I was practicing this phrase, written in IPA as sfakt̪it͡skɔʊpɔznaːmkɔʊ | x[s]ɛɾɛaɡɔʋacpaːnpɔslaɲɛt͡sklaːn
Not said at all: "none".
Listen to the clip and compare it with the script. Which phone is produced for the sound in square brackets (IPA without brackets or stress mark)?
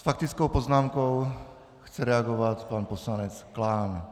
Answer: t͡s